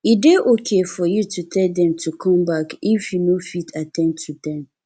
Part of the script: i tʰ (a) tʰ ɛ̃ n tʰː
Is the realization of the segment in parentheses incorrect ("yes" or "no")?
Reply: no